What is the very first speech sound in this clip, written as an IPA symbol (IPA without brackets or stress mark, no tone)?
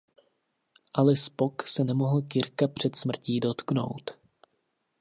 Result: ʔ